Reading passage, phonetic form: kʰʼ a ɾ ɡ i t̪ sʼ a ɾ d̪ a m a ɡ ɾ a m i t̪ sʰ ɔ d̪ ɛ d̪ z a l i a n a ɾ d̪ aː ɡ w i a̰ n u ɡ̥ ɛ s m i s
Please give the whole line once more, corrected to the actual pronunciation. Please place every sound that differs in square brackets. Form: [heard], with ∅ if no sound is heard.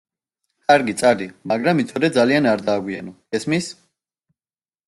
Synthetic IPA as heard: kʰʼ a ɾ ɡ i t̪ sʼ a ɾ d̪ [i] m a ɡ ɾ a m i t̪ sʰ ɔ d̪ ɛ d̪ z a l i a n a ɾ d̪ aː ɡ w i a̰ n [ɔ] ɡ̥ ɛ s m i s